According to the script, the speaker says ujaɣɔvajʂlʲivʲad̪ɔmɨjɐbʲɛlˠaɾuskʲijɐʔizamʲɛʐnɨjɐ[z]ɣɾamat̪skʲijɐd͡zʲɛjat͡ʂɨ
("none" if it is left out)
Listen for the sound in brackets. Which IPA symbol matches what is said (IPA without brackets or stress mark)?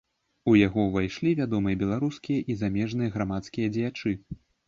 none